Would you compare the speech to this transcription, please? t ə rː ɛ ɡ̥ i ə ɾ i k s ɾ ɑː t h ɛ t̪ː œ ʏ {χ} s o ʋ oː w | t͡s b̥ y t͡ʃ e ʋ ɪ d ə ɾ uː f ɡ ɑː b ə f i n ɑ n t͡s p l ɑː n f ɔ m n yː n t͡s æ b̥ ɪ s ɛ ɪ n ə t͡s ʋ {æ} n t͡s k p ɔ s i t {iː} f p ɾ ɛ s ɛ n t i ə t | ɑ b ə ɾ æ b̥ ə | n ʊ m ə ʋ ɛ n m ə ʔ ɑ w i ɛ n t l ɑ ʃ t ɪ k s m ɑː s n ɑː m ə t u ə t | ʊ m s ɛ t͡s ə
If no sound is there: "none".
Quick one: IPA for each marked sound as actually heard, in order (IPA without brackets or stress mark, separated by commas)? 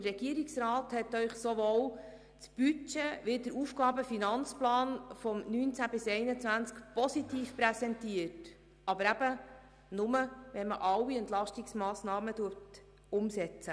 χ, æ, iː